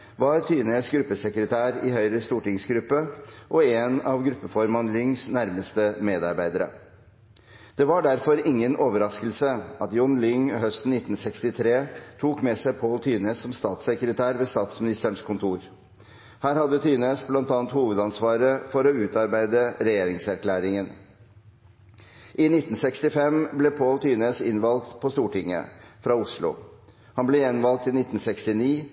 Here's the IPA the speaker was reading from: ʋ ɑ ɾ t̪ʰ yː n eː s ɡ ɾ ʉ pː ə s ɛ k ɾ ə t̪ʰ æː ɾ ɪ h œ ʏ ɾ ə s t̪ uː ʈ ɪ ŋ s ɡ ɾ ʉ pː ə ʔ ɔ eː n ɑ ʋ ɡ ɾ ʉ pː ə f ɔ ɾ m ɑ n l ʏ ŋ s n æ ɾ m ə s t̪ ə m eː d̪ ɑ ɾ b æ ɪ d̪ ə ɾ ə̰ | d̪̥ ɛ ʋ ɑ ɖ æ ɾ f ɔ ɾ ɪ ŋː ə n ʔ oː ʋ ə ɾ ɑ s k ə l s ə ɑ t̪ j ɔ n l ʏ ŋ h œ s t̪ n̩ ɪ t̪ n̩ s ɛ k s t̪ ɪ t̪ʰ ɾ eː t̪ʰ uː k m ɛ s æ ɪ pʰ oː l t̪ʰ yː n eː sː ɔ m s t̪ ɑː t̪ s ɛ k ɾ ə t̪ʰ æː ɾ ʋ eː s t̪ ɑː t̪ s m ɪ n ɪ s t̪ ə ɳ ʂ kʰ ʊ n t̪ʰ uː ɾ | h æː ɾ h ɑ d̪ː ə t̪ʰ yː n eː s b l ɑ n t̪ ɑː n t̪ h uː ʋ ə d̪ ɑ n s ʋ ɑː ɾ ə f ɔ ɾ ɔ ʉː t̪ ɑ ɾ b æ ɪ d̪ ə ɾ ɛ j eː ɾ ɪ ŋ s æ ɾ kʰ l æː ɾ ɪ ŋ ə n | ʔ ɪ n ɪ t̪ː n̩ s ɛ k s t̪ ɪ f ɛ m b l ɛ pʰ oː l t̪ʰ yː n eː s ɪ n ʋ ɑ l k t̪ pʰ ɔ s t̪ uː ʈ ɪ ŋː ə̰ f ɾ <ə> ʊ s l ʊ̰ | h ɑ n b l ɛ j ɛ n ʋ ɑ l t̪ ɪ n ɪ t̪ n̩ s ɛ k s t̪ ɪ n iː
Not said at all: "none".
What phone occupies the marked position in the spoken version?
ɑ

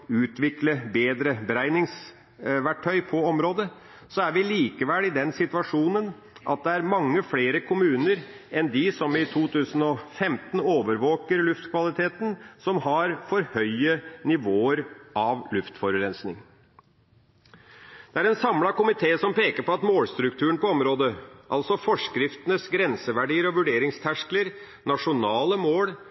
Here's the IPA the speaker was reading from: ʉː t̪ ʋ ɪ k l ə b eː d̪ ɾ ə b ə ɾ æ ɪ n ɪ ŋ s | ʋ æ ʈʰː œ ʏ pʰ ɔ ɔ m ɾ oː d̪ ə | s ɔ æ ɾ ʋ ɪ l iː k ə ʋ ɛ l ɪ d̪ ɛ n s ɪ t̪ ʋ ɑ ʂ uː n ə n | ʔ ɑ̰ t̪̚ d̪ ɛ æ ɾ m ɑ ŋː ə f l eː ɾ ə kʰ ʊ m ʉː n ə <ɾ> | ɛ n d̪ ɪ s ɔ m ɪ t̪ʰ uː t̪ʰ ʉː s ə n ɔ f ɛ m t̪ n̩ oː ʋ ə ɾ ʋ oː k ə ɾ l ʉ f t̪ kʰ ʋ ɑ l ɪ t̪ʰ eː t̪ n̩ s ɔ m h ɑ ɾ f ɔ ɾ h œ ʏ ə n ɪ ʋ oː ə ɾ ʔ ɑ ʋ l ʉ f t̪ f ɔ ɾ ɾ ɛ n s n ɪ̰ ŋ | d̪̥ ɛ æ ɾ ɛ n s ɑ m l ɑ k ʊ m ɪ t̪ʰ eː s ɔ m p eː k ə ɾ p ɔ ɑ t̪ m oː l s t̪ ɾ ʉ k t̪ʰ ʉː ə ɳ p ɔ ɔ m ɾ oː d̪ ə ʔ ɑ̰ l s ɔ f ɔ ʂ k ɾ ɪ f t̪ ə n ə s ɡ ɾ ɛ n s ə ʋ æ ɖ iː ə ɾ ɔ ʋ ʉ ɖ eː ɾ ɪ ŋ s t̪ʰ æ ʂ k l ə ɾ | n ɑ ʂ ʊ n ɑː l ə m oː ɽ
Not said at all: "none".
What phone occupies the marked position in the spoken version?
ɾ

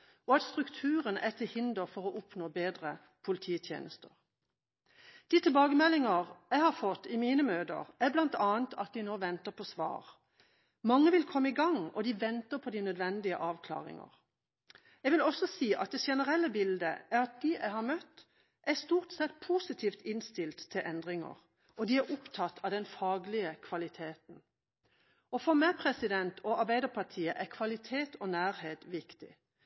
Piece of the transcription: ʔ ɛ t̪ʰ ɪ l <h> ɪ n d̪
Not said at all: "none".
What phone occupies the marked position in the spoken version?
h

